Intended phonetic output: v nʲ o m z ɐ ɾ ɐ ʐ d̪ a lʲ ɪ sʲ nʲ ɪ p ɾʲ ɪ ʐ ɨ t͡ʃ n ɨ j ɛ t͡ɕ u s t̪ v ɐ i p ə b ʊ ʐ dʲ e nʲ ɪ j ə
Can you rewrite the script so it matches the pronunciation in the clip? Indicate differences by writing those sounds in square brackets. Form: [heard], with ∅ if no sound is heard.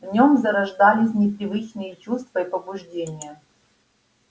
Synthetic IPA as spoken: v nʲ o m z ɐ ɾ ɐ ʐ d̪ a lʲ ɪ sʲ nʲ ɪ p ɾʲ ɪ [v] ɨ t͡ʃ n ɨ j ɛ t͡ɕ u s t̪ v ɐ i p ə b ʊ ʐ dʲ e nʲ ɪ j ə